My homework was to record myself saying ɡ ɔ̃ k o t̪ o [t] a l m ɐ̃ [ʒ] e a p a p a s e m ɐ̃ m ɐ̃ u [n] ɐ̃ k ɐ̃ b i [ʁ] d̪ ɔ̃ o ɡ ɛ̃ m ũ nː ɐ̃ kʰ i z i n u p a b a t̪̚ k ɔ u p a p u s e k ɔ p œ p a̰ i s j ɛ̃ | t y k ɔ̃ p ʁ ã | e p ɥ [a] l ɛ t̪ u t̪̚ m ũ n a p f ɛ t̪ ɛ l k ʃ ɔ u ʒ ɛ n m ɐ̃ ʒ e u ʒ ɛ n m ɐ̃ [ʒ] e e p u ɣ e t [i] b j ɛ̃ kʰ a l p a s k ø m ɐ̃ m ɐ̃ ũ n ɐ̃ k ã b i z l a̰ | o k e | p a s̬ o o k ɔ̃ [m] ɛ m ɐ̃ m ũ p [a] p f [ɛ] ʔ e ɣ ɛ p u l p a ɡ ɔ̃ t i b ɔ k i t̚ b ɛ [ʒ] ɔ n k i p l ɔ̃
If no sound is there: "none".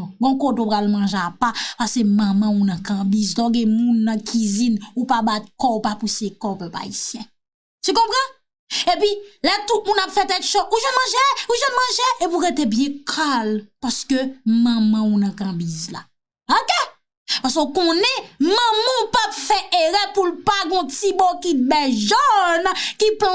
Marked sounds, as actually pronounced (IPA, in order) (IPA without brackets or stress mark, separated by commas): p, ʒ, n, z, i, ʒ, e, n, a, ɛ, ʒ